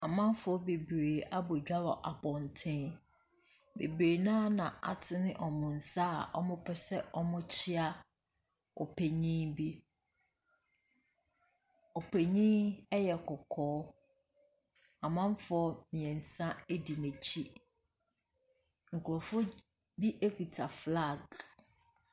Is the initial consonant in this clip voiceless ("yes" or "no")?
no